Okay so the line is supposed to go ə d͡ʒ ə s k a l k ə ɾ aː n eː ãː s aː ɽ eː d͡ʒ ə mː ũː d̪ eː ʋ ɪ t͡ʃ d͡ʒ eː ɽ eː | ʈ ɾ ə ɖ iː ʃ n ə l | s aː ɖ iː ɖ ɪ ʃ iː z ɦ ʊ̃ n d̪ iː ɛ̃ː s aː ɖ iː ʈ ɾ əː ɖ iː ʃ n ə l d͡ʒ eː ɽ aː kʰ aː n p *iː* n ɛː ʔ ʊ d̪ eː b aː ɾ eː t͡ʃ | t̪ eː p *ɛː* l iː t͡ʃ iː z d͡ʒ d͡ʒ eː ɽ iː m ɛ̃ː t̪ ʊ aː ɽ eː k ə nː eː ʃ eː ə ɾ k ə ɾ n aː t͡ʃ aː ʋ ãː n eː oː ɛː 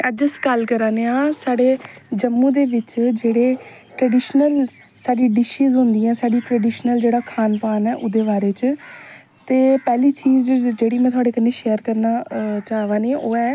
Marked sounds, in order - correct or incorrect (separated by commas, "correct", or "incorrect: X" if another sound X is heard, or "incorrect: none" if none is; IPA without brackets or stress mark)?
incorrect: aː, correct